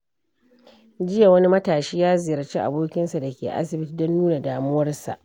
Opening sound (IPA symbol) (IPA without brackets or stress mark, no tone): d͡ʒ